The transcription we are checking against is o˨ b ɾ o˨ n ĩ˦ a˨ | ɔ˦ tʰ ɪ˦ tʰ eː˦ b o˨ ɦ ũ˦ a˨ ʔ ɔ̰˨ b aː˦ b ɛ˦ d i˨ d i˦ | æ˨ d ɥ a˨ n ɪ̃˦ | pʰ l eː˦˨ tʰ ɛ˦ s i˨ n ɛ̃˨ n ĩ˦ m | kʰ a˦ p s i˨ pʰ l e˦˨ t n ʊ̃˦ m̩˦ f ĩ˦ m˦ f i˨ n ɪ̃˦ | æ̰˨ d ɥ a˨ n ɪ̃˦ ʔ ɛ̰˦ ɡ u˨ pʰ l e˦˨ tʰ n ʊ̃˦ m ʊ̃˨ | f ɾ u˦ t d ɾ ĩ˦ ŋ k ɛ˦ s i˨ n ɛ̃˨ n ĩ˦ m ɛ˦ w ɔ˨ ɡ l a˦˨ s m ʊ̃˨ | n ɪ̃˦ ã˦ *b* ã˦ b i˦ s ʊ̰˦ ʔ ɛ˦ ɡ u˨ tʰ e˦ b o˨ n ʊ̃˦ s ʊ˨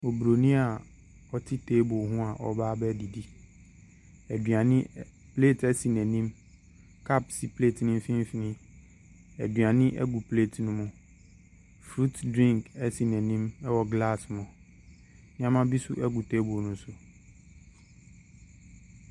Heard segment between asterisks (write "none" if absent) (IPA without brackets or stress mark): m